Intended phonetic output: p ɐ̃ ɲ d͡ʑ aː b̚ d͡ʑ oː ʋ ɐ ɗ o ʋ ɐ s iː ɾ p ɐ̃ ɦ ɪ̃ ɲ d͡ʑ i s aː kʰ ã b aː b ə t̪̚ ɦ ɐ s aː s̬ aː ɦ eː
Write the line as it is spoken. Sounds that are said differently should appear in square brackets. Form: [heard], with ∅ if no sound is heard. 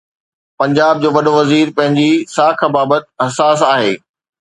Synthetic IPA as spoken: p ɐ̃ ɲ d͡ʑ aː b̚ d͡ʑ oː ʋ ɐ ɗ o ʋ ɐ [z] iː ɾ p ɐ̃ ɦ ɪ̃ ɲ d͡ʑ i s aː kʰ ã b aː b ə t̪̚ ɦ ɐ s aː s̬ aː ɦ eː